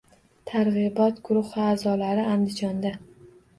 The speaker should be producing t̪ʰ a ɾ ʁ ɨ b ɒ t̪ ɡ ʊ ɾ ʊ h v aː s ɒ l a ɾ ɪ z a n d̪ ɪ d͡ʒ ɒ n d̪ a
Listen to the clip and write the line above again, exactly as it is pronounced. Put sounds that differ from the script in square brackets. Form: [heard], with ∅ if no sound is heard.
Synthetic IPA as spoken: t̪ʰ a ɾ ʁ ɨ b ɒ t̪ ɡ ʊ ɾ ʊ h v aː [z] ɒ l a ɾ ɪ [∅] a n d̪ ɪ d͡ʒ ɒ n d̪ a

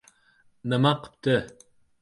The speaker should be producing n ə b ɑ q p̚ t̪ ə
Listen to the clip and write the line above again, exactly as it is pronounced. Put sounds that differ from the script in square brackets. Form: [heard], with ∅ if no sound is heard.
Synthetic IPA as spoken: n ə [m] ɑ q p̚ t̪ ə

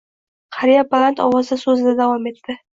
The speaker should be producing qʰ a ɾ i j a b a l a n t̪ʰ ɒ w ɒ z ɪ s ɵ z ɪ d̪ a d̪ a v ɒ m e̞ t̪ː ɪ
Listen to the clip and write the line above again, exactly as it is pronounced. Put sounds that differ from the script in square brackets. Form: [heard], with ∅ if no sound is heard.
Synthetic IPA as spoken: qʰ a ɾ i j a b a l a n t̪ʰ ɒ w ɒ z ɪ s ɵ z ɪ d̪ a d̪ a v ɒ m e̞ t̪ː ɪ

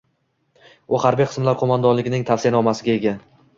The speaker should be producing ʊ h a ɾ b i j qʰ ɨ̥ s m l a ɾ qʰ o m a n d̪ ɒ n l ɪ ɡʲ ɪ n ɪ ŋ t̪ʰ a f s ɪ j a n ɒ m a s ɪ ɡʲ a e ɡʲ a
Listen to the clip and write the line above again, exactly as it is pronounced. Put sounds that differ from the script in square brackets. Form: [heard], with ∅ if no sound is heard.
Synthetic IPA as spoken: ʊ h a ɾ b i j qʰ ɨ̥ s m l a ɾ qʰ o m a n d̪ ɒ n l ɪ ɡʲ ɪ n ɪ ŋ t̪ʰ a f s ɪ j a n ɒ m a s ɪ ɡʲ a e ɡʲ a

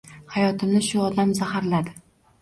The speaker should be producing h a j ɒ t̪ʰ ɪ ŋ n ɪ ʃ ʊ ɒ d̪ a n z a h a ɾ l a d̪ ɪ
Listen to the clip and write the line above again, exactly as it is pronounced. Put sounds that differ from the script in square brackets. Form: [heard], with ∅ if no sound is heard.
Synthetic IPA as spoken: h a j ɒ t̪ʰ ɪ [m] n ɪ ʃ ʊ ɒ d̪ a [m] z a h a ɾ l a d̪ ɪ

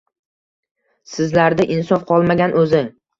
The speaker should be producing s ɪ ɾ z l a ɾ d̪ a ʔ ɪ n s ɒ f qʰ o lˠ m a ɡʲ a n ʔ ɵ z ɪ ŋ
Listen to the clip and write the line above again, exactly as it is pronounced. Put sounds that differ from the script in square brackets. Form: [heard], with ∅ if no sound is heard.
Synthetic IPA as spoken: s ɪ [∅] z l a ɾ d̪ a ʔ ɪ n s ɒ f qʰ [ɒ] lˠ m a ɡʲ a n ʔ ɵ z ɪ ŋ

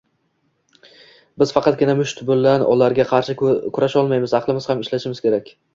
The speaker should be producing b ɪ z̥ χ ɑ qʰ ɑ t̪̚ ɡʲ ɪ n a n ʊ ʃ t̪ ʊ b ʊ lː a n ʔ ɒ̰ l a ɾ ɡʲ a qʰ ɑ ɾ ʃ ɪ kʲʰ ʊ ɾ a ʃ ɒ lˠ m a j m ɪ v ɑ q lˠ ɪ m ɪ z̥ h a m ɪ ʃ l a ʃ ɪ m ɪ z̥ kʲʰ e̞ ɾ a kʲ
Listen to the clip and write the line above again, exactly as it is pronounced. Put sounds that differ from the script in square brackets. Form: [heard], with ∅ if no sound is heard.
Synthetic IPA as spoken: b ɪ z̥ [f] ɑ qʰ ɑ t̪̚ ɡʲ ɪ n a [m] ʊ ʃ t̪ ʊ b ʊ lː a n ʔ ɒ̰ l a ɾ ɡʲ a qʰ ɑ ɾ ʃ ɪ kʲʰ ʊ ɾ a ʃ ɒ lˠ m a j m ɪ [z] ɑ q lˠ ɪ m ɪ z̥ h a m ɪ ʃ l a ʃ ɪ m ɪ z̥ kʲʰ e̞ ɾ a kʲ

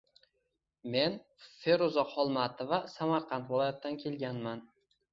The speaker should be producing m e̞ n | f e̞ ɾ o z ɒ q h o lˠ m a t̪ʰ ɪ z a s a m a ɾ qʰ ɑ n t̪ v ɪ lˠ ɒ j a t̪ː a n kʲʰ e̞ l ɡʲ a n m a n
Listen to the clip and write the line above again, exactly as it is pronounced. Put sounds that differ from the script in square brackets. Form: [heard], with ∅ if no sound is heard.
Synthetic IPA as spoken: m e̞ n | f e̞ ɾ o z ɒ q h [ɒ] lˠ m a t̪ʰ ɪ [v] a s a m a ɾ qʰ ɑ n t̪ v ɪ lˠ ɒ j a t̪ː a n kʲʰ e̞ l ɡʲ a n m a n

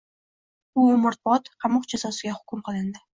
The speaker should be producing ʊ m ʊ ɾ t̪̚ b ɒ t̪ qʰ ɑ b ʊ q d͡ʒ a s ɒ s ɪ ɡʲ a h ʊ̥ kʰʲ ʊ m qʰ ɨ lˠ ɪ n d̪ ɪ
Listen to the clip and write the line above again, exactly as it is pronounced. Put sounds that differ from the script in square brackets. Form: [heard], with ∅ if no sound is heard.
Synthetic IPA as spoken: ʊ m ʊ ɾ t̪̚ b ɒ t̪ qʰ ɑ [m] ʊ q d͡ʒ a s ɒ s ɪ ɡʲ a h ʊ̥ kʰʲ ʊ m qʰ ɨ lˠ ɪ n d̪ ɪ

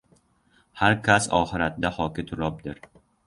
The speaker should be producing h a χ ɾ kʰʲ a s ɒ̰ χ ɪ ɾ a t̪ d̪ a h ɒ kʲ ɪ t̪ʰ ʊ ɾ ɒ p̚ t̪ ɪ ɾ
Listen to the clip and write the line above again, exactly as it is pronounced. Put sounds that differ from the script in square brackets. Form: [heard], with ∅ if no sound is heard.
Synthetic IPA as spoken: h a [∅] ɾ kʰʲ a s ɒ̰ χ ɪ ɾ a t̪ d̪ a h ɒ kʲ ɪ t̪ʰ ʊ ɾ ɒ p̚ [d̪] ɪ ɾ

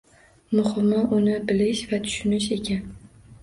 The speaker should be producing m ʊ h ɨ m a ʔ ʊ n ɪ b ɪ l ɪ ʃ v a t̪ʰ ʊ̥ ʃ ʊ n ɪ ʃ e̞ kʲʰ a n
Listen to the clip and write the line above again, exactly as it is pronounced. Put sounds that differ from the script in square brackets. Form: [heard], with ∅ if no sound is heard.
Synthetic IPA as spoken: m ʊ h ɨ m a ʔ ʊ n ɪ b ɪ l ɪ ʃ v a t̪ʰ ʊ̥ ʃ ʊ n ɪ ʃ e̞ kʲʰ a n

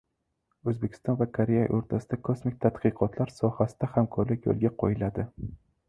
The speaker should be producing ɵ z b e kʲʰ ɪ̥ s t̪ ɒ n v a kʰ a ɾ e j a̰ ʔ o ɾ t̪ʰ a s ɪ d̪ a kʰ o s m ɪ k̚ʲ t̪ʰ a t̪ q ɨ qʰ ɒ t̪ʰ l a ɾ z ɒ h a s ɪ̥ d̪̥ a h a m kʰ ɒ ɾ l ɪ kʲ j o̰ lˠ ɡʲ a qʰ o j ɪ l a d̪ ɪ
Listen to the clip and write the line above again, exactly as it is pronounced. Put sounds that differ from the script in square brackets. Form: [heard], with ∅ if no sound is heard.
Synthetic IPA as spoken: ɵ z b e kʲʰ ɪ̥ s t̪ ɒ n v a kʰ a ɾ e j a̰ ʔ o ɾ t̪ʰ a s ɪ d̪ a kʰ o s m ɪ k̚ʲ t̪ʰ a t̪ q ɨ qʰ ɒ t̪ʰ l a ɾ [s] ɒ h a s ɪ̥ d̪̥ a h a m kʰ ɒ ɾ l ɪ kʲ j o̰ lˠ ɡʲ a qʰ o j ɪ l a d̪ ɪ

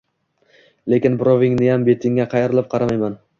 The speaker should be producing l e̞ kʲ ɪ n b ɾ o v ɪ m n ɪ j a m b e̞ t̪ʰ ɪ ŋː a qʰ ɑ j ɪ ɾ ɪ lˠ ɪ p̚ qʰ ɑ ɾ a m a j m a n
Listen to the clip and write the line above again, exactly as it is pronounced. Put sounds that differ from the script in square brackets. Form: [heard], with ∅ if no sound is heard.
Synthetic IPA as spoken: l e̞ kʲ ɪ n b ɾ o v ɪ [ŋ] n ɪ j a m b e̞ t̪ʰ ɪ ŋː a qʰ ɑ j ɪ ɾ ɪ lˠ ɪ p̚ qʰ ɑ ɾ a m a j m a n

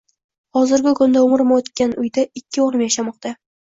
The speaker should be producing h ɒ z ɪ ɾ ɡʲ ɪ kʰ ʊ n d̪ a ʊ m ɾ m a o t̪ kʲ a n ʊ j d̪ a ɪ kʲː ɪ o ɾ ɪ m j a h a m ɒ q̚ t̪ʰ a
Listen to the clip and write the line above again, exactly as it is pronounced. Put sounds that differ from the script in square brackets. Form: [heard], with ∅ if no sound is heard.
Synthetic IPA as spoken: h ɒ z ɪ ɾ ɡʲ ɪ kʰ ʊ n d̪ a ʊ m ɾ m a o t̪ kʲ a n ʊ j d̪ a ɪ kʲː ɪ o ɾ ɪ m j a [ʃ] a m ɒ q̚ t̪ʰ a

